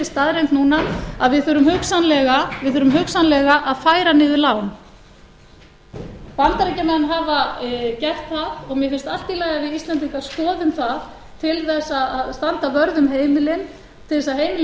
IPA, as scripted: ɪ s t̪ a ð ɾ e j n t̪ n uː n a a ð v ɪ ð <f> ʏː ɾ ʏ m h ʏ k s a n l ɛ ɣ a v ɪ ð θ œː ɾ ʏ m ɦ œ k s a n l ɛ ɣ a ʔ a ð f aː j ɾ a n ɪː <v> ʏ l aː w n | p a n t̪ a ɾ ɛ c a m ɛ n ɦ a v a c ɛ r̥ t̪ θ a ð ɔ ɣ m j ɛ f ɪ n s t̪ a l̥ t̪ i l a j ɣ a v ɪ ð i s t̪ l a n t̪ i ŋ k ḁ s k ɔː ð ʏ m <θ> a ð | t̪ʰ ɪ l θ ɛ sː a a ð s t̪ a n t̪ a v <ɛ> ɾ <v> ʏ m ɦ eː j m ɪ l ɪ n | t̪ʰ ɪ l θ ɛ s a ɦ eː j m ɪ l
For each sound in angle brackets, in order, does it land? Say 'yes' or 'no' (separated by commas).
no, no, yes, no, no